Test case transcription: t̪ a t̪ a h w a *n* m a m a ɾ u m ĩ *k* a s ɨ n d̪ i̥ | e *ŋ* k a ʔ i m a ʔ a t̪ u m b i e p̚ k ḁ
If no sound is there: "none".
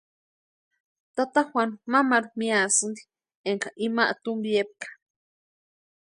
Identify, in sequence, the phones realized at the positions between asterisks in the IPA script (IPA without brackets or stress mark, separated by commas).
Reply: n, none, ŋ